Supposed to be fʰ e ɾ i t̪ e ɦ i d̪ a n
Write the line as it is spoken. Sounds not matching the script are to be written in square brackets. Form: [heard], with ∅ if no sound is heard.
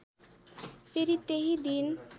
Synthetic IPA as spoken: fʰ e ɾ i t̪ e ɦ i d̪ [i] n